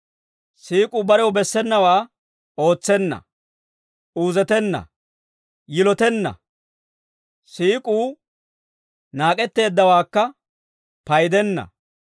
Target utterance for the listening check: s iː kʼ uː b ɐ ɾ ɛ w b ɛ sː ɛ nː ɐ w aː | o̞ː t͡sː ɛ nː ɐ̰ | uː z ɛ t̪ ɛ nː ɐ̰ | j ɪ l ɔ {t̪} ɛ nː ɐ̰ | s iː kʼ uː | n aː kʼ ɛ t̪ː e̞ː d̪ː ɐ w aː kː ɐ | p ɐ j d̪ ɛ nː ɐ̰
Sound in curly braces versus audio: correct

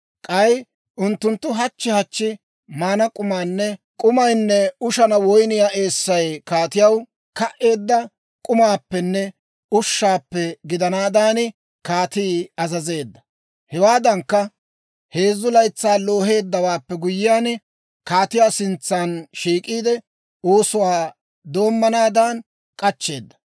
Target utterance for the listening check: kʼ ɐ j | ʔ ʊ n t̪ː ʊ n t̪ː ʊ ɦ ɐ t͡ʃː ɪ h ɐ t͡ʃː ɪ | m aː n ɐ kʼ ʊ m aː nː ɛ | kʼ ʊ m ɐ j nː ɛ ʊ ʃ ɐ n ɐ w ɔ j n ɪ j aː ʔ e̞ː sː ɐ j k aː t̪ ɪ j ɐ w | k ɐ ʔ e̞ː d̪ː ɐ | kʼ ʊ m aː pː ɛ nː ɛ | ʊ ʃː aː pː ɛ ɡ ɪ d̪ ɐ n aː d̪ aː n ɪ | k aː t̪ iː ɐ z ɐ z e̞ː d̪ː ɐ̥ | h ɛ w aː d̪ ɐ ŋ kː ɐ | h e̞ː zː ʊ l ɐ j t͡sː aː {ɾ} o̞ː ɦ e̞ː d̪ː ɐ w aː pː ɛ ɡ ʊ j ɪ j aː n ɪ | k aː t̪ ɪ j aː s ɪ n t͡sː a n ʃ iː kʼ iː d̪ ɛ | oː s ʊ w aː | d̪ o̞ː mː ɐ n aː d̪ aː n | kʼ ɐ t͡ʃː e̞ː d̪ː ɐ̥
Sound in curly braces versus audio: incorrect: l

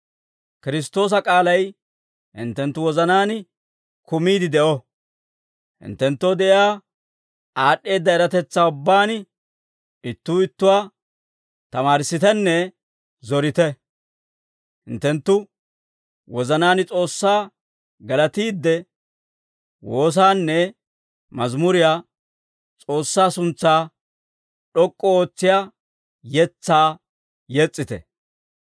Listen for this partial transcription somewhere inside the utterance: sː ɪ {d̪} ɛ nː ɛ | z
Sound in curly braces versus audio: incorrect: t̪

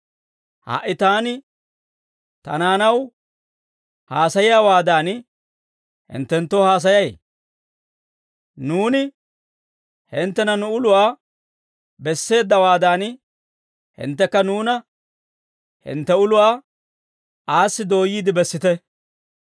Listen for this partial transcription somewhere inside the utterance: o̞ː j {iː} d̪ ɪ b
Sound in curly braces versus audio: correct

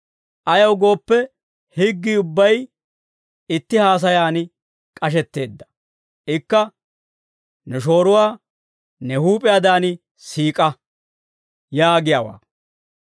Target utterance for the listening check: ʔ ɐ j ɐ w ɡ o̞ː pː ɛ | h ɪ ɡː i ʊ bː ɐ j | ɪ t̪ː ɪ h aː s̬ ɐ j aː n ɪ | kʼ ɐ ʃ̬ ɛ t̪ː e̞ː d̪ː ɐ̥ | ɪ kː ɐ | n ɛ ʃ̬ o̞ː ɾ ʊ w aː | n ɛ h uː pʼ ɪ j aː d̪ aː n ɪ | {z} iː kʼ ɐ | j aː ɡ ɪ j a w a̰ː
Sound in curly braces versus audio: incorrect: s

